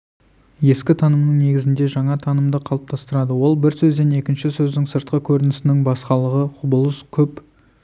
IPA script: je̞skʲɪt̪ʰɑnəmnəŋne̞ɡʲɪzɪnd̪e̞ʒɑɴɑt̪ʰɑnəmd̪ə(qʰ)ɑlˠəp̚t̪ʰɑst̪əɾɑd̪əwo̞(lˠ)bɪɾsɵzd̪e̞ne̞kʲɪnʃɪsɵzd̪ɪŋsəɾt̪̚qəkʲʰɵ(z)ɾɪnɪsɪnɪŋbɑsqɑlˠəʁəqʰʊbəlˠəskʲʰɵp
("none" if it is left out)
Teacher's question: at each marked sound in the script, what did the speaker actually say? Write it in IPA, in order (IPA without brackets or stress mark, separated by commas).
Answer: qʰ, lˠ, none